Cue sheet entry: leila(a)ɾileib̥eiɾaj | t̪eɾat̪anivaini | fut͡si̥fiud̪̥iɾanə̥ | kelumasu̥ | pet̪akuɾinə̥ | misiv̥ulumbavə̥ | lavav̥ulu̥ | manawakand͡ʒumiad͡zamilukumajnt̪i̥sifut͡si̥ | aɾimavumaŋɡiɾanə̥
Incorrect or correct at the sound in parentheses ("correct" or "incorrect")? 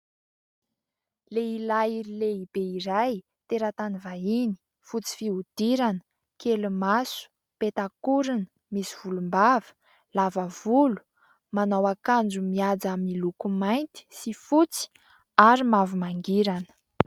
incorrect